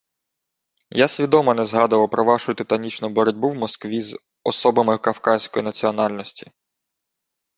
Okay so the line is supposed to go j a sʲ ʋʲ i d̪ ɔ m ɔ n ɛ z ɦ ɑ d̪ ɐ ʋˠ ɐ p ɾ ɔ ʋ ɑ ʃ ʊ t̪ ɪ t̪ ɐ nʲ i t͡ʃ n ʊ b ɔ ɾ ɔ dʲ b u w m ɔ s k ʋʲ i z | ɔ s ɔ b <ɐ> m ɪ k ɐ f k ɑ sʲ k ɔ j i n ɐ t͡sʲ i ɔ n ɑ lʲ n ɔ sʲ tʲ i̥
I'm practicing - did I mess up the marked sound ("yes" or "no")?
no